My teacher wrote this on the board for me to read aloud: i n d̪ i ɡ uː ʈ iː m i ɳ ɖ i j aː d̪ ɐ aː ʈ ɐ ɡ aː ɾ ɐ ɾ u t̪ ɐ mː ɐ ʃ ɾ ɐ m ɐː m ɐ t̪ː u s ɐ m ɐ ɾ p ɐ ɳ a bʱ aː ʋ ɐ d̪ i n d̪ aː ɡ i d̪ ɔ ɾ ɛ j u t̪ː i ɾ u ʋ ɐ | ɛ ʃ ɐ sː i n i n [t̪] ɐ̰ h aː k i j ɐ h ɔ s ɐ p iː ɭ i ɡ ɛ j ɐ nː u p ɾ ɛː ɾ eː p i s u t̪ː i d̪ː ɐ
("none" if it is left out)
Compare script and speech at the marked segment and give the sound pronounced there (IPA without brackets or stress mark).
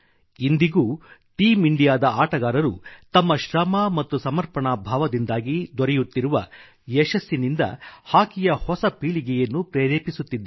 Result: d̪